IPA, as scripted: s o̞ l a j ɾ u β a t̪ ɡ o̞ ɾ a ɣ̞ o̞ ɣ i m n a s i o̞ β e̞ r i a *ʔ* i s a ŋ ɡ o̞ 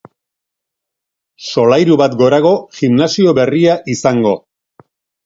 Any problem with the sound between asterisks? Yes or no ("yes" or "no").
no